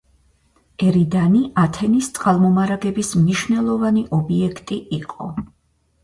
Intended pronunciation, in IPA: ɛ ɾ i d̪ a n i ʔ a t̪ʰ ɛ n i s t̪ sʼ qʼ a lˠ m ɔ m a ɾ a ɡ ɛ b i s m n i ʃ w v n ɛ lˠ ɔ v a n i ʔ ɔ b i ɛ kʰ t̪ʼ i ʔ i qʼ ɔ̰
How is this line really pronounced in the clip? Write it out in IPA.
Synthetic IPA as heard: ɛ ɾ i d̪ a n i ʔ a t̪ʰ ɛ n i s t̪ sʼ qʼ a lˠ m ɔ m a ɾ a ɡ ɛ b i s m n i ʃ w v n ɛ lˠ ɔ v a n i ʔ ɔ b i ɛ kʰ t̪ʼ i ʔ i qʼ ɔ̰